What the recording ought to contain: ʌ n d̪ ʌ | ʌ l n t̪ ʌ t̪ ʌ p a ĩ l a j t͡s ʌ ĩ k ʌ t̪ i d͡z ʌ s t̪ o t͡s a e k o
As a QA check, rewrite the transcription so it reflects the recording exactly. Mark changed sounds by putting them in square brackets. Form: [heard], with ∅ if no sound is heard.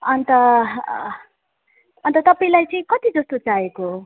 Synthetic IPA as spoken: ʌ n [t̪] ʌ | ʌ [∅] n t̪ ʌ t̪ ʌ p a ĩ l a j t͡s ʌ ĩ k ʌ t̪ i d͡z ʌ s t̪ o t͡s a e k o